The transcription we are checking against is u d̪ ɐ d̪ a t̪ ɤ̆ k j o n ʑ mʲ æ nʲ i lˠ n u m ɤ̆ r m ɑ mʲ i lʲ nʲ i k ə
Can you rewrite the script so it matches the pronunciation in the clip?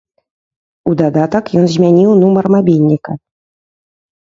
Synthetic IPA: u d̪ ɑ d̪ ɑ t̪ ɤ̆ k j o n ʑ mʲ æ nʲ i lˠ n u m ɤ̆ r m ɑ bʲ i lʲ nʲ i k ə